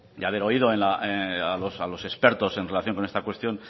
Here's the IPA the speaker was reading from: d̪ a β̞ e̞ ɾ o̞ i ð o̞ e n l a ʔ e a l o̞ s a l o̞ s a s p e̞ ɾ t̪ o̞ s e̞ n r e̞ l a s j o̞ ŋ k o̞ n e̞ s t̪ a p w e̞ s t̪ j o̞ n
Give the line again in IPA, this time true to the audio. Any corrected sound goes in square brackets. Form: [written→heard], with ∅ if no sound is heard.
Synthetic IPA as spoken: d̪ a β̞ e̞ ɾ o̞ i ð o̞ e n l a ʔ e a l o̞ s a l o̞ s [a→e] s p e̞ ɾ t̪ o̞ s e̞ n r e̞ l a [s→θ] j o̞ ŋ k o̞ n e̞ s t̪ a [p→k] w e̞ s t̪ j o̞ n

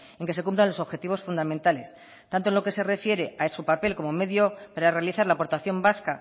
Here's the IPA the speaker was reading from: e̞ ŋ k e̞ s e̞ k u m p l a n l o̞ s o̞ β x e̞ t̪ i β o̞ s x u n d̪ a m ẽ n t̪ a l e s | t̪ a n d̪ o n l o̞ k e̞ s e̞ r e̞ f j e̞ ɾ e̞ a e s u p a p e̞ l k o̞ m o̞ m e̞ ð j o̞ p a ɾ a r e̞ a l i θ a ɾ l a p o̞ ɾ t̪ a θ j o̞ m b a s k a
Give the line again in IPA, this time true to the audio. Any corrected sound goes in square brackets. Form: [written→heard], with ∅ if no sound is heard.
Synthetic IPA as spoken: e̞ ŋ k e̞ s e̞ k u m p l a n l o̞ s o̞ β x e̞ t̪ i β o̞ s [x→f] u n d̪ a m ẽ n t̪ a l e s | t̪ a n [d̪→t̪] o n l o̞ k e̞ s e̞ r e̞ f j e̞ ɾ e̞ a e s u p a p e̞ l k o̞ m o̞ m e̞ ð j o̞ p a ɾ a r e̞ a l i θ a ɾ l a p o̞ ɾ t̪ a θ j o̞ m b a s k a

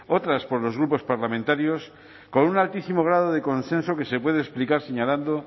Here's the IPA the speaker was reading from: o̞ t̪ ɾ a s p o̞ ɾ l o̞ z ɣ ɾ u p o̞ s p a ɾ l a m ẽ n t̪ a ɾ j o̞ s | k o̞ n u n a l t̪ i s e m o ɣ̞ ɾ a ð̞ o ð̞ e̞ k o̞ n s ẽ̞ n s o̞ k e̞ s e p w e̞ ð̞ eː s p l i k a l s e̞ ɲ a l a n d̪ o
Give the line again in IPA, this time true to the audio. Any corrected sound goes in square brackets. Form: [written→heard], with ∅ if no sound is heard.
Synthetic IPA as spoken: o̞ t̪ ɾ a s p o̞ ɾ l o̞ z ɣ ɾ u p o̞ s p a ɾ l a m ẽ n t̪ a ɾ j o̞ s | k o̞ n u n a l t̪ i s [e→i] m o ɣ̞ ɾ a ð̞ o ð̞ e̞ k o̞ n s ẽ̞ n s o̞ k e̞ s e p w e̞ ð̞ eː s p l i k a [l→ɾ] s e̞ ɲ a l a n d̪ o

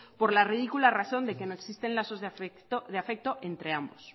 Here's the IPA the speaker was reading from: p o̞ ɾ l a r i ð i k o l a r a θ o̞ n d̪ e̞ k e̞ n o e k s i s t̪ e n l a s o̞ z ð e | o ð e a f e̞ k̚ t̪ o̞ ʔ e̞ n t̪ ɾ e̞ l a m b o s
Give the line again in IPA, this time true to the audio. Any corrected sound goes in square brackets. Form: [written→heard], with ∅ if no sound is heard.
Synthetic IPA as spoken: p o̞ ɾ l a r i ð i k [o→u] l a r a θ o̞ n d̪ e̞ k e̞ n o e k s i s t̪ e n l a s o̞ z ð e | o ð e a f e̞ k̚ t̪ o̞ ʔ e̞ n t̪ ɾ e̞ [l→∅] a m b o s

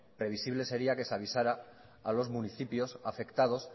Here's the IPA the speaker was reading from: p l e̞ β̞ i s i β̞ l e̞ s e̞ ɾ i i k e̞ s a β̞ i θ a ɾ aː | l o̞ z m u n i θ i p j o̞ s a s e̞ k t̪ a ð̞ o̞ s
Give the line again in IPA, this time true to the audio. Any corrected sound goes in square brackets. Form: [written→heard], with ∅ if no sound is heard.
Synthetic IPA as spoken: p [l→ɾ] e̞ β̞ i s i β̞ l e̞ s e̞ ɾ i [i→a] k e̞ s a β̞ i [θ→s] a ɾ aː | l o̞ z m u n i θ i p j o̞ s a [s→f] e̞ k t̪ a ð̞ o̞ s

